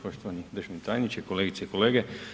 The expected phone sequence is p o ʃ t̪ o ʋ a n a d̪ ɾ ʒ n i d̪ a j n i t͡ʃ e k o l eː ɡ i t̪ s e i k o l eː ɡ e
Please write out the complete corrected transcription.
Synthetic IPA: p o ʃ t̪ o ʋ a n i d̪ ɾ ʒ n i t̪ a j n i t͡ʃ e k o l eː ɡ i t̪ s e i k o l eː ɡ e